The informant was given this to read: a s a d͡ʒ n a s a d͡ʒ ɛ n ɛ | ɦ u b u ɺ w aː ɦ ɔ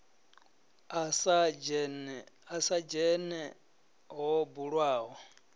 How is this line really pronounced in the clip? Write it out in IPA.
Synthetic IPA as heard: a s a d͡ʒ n a s a d͡ʒ ɛ n ɛ | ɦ ɔ b u ɺ w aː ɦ ɔ